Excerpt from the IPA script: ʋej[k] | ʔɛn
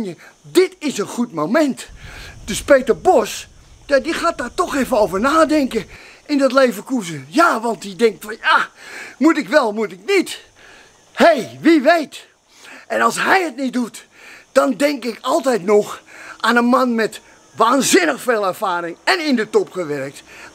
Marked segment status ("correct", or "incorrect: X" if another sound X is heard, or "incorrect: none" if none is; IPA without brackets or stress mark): incorrect: t